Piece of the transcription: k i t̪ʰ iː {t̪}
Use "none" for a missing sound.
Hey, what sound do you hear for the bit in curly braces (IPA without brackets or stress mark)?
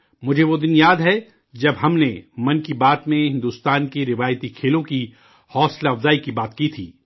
none